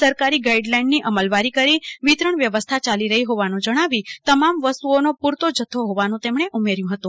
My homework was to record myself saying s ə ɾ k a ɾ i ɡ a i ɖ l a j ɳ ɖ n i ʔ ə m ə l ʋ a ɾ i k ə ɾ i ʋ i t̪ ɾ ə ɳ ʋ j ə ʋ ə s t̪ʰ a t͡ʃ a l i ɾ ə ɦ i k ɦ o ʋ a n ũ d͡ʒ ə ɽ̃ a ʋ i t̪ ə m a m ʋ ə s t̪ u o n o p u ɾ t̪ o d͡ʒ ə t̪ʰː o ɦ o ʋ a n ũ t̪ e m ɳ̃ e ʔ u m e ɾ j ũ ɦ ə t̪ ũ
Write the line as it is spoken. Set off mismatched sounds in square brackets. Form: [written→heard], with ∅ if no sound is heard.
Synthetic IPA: s ə ɾ k a ɾ i ɡ a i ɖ l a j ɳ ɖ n i ʔ ə m ə l ʋ a ɾ i k ə ɾ i ʋ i t̪ ɾ ə ɳ ʋ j ə ʋ ə s t̪ʰ a t͡ʃ a l i ɾ ə ɦ i [k→∅] ɦ o ʋ a n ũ d͡ʒ ə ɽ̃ a ʋ i t̪ ə m a m ʋ ə s t̪ u o n o p u ɾ t̪ o d͡ʒ ə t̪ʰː o ɦ o ʋ a n ũ t̪ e m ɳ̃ e ʔ u m e ɾ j ũ ɦ ə t̪ ũ

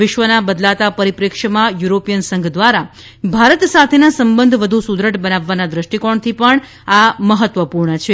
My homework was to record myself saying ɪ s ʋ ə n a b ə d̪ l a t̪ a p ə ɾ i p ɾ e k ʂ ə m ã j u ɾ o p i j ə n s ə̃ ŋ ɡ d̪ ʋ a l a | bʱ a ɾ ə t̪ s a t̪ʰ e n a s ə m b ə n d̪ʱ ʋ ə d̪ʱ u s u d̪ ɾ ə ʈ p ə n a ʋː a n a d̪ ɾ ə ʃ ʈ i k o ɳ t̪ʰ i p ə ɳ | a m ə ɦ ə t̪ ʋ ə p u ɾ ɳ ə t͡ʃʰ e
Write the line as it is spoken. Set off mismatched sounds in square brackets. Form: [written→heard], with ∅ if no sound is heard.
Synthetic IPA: ɪ [s→ʃ] ʋ ə n a b ə d̪ l a t̪ a p ə ɾ i p ɾ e k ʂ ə m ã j u ɾ o p i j ə n s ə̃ ŋ ɡ d̪ ʋ a [l→ɾ] a | bʱ a ɾ ə t̪ s a t̪ʰ e n a s ə m b ə n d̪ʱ ʋ ə d̪ʱ u s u d̪ ɾ ə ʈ [p→b] ə n a ʋː a n a d̪ ɾ ə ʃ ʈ i k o ɳ t̪ʰ i p ə ɳ | a m ə ɦ ə t̪ ʋ ə p u ɾ ɳ ə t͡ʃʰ e

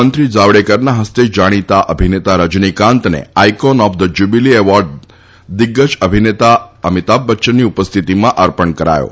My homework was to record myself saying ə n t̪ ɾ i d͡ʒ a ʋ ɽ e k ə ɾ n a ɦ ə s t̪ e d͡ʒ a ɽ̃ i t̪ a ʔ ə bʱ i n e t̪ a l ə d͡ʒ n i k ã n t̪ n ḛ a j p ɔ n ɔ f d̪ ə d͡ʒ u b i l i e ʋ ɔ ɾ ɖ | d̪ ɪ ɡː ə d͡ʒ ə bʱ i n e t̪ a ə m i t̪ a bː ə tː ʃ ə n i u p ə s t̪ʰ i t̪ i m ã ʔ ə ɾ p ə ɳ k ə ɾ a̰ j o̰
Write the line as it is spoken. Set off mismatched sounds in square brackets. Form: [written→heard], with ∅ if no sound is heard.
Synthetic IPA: ə n t̪ ɾ i d͡ʒ a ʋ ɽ e k ə ɾ n a ɦ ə s t̪ e d͡ʒ a ɽ̃ i t̪ a ʔ ə bʱ i n e t̪ a [l→ɾ] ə d͡ʒ n i k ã n t̪ n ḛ a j [p→k] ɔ n ɔ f d̪ ə d͡ʒ u b i l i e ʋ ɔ ɾ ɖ | d̪ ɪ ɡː ə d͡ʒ ə bʱ i n e t̪ a ə m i t̪ a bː ə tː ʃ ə n i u p ə s t̪ʰ i t̪ i m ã ʔ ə ɾ p ə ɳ k ə ɾ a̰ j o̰

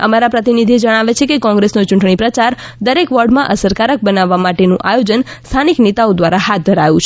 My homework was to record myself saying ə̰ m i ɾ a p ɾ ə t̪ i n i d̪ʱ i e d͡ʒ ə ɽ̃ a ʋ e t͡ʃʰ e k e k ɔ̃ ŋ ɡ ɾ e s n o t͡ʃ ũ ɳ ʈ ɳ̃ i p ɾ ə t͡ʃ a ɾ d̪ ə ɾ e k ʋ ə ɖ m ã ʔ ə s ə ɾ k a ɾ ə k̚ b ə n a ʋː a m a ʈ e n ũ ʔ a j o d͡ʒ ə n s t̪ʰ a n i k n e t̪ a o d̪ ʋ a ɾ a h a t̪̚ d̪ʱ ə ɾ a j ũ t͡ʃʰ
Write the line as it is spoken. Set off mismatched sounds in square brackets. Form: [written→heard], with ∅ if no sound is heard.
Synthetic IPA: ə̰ m [i→a] ɾ a p ɾ ə t̪ i n i d̪ʱ i e d͡ʒ ə ɽ̃ a ʋ e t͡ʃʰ e k e k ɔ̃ ŋ ɡ ɾ e s n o t͡ʃ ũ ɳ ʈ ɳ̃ i p ɾ ə t͡ʃ a ɾ d̪ ə ɾ e k ʋ ə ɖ m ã ʔ ə s ə ɾ k a ɾ ə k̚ b ə n a ʋː a m a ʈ e n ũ ʔ a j o d͡ʒ ə n s t̪ʰ a n i k n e t̪ a o d̪ ʋ a ɾ a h a t̪̚ d̪ʱ ə ɾ a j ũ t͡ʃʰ

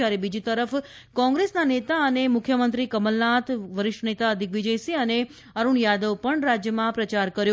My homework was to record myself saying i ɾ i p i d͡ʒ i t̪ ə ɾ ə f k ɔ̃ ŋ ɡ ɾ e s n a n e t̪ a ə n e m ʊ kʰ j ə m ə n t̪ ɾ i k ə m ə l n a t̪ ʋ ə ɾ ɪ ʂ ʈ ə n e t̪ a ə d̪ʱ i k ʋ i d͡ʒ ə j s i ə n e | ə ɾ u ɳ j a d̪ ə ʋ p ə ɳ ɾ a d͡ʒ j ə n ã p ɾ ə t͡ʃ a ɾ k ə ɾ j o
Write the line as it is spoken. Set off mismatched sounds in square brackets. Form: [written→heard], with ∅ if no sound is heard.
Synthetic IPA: [i→a] ɾ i [p→b] i d͡ʒ i t̪ ə ɾ ə f k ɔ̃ ŋ ɡ ɾ e s n a n e t̪ a ə n e m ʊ kʰ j ə m ə n t̪ ɾ i k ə m ə l n a t̪ ʋ ə ɾ ɪ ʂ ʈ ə n e t̪ a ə d̪ʱ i k ʋ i d͡ʒ ə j s i ə n e | ə ɾ u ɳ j a d̪ ə ʋ p ə ɳ ɾ a d͡ʒ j ə [n→m] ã p ɾ ə t͡ʃ a ɾ k ə ɾ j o

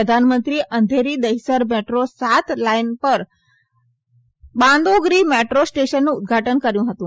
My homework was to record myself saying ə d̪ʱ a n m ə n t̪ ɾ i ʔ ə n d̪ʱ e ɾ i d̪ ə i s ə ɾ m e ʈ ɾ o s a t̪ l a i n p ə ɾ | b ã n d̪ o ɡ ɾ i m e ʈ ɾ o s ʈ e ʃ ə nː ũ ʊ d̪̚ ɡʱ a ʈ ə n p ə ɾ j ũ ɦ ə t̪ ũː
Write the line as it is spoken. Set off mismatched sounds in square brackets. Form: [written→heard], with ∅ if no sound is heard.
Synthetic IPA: ə d̪ʱ a n m ə n t̪ ɾ i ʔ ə n d̪ʱ e ɾ i d̪ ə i s ə ɾ m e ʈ ɾ o s a t̪ l a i n p ə ɾ | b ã n d̪ o ɡ ɾ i m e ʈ ɾ o s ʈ e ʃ ə nː ũ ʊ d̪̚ ɡʱ a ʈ ə n [p→k] ə ɾ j ũ ɦ ə t̪ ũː

